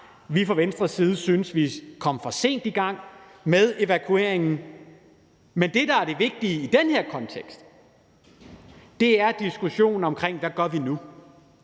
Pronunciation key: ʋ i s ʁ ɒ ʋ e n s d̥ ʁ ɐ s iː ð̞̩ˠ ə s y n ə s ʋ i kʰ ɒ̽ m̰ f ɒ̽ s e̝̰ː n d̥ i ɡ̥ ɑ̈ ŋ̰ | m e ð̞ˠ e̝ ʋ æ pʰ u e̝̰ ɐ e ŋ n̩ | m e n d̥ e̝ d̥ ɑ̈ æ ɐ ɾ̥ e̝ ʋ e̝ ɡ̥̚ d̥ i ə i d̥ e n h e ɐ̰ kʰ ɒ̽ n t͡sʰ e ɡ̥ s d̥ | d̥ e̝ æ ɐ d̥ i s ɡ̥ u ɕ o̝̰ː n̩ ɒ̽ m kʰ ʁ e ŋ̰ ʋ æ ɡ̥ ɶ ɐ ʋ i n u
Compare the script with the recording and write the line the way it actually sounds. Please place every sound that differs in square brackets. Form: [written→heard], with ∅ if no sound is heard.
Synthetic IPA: ʋ i [s→f] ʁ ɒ ʋ e n s d̥ ʁ ɐ s iː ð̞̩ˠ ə s y n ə s ʋ i kʰ ɒ̽ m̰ f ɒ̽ s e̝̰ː n d̥ i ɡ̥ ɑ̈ ŋ̰ | m e ð̞ˠ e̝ ʋ æ [pʰ→kʰ] u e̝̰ ɐ e ŋ n̩ | m e n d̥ e̝ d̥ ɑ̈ æ ɐ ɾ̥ e̝ ʋ e̝ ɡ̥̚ d̥ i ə i d̥ e n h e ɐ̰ kʰ ɒ̽ n t͡sʰ e ɡ̥ s d̥ | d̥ e̝ æ ɐ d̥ i s ɡ̥ u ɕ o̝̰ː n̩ ɒ̽ m kʰ ʁ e ŋ̰ ʋ æ ɡ̥ ɶ ɐ ʋ i n u

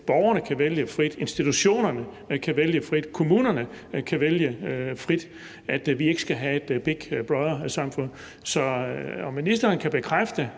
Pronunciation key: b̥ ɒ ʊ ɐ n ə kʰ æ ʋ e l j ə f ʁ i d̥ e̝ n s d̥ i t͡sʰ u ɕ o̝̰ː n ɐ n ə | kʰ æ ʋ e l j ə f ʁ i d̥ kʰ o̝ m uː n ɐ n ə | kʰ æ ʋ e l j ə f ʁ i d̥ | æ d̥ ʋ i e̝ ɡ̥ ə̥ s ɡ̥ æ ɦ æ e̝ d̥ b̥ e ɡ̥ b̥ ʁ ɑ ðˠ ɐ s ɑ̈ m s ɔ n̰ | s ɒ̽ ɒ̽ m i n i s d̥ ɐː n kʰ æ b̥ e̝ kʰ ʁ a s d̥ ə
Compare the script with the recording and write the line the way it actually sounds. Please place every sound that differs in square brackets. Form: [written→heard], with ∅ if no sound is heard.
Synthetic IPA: b̥ ɒ ʊ ɐ n ə kʰ æ ʋ e l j ə f ʁ i d̥ e̝ n s d̥ i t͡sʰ u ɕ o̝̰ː n ɐ n ə | kʰ æ ʋ e l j ə f ʁ i d̥ kʰ o̝ m uː n ɐ n ə | kʰ æ ʋ e l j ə f ʁ i d̥ | æ d̥ ʋ i e̝ ɡ̥ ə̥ s ɡ̥ æ ɦ æ e̝ d̥ b̥ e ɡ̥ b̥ ʁ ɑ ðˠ ɐ s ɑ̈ m [s→f] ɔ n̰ | s ɒ̽ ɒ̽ m i n i s d̥ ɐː n kʰ æ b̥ e̝ kʰ ʁ a [s→f] d̥ ə

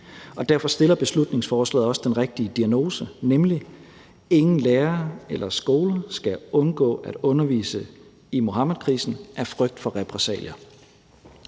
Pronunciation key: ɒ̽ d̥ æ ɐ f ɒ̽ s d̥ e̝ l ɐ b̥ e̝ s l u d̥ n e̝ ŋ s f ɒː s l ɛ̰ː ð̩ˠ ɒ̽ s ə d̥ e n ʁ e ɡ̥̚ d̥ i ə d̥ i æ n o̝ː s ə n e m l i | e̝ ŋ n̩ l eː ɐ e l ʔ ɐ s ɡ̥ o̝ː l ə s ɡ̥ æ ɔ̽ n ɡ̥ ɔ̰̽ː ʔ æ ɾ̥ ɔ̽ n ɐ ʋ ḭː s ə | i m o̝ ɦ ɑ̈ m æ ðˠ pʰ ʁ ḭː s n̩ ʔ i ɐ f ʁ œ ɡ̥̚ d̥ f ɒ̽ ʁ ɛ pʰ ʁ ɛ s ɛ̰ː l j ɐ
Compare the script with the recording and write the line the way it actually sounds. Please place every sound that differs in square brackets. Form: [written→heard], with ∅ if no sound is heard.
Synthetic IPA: ɒ̽ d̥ æ ɐ f ɒ̽ s d̥ e̝ l ɐ b̥ e̝ s l u d̥ n e̝ ŋ s f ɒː s l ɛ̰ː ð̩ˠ ɒ̽ s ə d̥ e n ʁ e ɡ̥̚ d̥ i ə d̥ i æ n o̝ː s ə n e m l i | e̝ ŋ n̩ l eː ɐ e l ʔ ɐ s ɡ̥ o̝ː l ə s ɡ̥ æ ɔ̽ n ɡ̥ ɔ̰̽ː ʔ æ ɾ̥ ɔ̽ n ɐ ʋ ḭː s ə | i m o̝ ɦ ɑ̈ m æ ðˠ [pʰ→kʰ] ʁ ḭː s n̩ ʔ [i→æ] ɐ f ʁ œ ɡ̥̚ d̥ f ɒ̽ ʁ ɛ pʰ ʁ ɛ s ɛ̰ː l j ɐ

